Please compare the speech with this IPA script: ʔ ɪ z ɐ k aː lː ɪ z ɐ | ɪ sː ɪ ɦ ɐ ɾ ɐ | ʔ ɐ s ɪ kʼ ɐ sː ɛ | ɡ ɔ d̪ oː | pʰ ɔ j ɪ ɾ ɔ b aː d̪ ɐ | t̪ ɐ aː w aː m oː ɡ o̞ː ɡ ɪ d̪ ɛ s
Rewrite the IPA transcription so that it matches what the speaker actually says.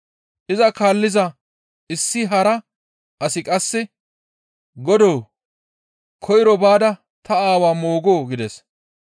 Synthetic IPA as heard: ʔ ɪ z ɐ k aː lː ɪ z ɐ | ɪ sː ɪ ɦ ɐ ɾ ɐ | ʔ ɐ s ɪ kʼ ɐ sː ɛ | ɡ ɔ d̪ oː | kʰ ɔ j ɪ ɾ ɔ b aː d̪ ɐ | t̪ ɐ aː w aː m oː ɡ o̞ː ɡ ɪ d̪ ɛ s